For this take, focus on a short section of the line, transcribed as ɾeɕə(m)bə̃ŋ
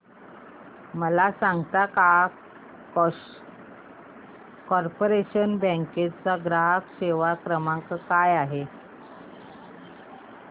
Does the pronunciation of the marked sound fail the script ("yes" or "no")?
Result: yes